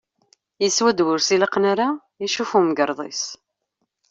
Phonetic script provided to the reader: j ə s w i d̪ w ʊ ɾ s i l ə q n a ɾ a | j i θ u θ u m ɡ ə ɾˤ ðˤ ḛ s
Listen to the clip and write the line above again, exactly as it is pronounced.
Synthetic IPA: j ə s w æ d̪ w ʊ ɾ s i l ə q n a ɾ a | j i ʃ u f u m ɡ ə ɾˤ ðˤ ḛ s